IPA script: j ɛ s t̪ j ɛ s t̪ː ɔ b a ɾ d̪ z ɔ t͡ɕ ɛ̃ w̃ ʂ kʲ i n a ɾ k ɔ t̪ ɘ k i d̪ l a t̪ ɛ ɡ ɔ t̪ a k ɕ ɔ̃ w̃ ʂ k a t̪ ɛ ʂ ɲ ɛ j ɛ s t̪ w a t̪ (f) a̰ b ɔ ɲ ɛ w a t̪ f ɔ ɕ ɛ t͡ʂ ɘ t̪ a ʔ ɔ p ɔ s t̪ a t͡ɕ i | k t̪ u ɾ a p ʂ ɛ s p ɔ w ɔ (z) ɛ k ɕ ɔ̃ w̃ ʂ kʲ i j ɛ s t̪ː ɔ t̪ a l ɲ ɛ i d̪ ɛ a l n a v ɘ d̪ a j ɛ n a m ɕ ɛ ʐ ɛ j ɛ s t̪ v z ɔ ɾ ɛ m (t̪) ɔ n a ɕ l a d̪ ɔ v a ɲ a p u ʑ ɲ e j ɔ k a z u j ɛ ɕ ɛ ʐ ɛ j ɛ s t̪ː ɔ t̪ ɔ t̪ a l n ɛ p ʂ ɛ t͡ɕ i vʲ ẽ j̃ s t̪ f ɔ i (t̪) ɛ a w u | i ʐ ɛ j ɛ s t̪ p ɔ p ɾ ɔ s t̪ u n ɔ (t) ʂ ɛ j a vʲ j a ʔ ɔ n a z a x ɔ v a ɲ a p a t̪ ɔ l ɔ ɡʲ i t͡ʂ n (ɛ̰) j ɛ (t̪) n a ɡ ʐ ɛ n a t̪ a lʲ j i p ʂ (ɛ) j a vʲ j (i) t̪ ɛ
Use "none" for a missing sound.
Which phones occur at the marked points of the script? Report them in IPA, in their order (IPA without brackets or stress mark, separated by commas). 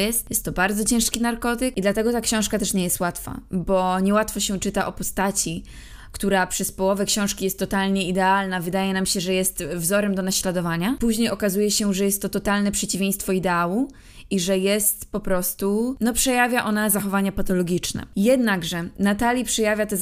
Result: f, v, d̪, d̪, p, ɛ̰, d̪, ɛ, a